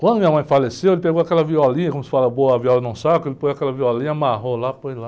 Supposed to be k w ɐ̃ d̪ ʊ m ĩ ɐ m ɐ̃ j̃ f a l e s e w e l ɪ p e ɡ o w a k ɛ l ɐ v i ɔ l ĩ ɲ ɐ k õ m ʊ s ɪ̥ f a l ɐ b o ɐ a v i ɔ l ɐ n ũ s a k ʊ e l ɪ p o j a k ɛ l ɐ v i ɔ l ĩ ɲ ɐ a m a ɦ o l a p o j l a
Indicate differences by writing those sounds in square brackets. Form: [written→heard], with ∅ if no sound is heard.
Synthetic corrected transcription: k w ɐ̃ d̪ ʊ m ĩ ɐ m ɐ̃ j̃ f a l e s e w e l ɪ p e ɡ o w a k ɛ l ɐ v i ɔ l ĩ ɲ ɐ k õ m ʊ s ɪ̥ f a l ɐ b o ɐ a v i ɔ l ɐ n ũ s a k ʊ e l ɪ p o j a k ɛ l ɐ v i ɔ l ĩ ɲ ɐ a m a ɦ o l a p o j l a

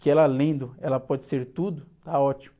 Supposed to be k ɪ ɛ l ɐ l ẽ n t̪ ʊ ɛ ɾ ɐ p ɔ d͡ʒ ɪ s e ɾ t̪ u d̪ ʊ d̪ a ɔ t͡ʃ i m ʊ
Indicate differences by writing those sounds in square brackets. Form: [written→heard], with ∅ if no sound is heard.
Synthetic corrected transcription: k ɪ ɛ l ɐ l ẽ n [t̪→d̪] ʊ ɛ [ɾ→l] ɐ p ɔ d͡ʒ ɪ s e ɾ t̪ u d̪ ʊ [d̪→t̪] a ɔ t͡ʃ i m ʊ

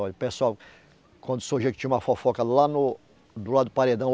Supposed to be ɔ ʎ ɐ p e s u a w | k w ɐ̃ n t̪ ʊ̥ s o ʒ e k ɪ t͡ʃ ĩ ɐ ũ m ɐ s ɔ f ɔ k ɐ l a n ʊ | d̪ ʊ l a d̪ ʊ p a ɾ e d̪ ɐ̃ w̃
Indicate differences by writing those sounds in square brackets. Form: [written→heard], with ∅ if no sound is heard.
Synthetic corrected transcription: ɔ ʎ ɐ p e s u a w | k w ɐ̃ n [t̪→d̪] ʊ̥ s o ʒ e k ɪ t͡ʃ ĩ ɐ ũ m ɐ [s→f] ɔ f ɔ k ɐ l a n ʊ | d̪ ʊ l a d̪ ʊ p a ɾ e d̪ ɐ̃ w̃

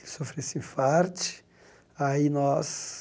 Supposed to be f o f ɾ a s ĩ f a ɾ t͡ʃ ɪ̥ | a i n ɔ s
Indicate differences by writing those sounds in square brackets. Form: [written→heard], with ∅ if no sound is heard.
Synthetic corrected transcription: [f→s] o f ɾ [a→e] s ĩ f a ɾ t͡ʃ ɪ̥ | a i n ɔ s

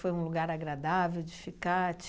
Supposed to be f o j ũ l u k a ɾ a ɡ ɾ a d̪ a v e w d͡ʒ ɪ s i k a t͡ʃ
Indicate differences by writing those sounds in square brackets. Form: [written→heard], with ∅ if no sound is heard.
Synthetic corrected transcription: f o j ũ l u [k→ɡ] a ɾ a ɡ ɾ a d̪ a v e w d͡ʒ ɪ [s→f] i k a t͡ʃ

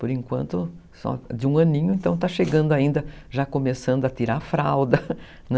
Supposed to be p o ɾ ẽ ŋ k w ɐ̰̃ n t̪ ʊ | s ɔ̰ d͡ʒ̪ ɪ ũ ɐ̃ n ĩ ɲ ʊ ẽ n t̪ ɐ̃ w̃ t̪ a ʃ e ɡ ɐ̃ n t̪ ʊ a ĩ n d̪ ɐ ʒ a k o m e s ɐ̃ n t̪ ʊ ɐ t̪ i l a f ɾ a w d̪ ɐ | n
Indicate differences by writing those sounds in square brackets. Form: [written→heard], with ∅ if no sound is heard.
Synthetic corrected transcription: p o ɾ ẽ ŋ k w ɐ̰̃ n t̪ ʊ | s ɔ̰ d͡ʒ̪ ɪ ũ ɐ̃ n ĩ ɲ ʊ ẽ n t̪ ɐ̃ w̃ t̪ a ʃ e ɡ ɐ̃ n [t̪→d̪] ʊ a ĩ n d̪ ɐ ʒ a k o m e s ɐ̃ n [t̪→d̪] ʊ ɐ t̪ i [l→ɾ] a f ɾ a w d̪ ɐ | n

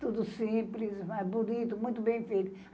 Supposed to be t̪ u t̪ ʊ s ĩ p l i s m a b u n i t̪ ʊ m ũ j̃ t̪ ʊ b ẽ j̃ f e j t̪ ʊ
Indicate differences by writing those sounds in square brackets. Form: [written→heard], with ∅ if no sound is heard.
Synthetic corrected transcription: t̪ u [t̪→d̪] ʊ s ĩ p l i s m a b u n i t̪ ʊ m ũ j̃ t̪ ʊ b ẽ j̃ f e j t̪ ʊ

